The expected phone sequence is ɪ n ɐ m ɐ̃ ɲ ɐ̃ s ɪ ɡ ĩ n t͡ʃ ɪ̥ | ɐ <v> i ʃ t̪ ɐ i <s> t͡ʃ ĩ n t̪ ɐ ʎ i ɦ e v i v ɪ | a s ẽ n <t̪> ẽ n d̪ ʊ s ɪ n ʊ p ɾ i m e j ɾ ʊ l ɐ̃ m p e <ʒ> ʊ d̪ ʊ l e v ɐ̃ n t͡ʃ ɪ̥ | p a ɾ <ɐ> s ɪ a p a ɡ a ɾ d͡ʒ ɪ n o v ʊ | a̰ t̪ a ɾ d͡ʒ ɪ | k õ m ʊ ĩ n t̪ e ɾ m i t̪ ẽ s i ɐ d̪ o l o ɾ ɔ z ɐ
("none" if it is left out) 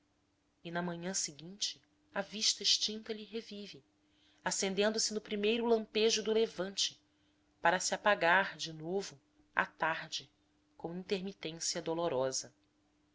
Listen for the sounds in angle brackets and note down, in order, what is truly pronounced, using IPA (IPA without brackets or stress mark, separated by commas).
v, ʃ, d̪, ʒ, ɐ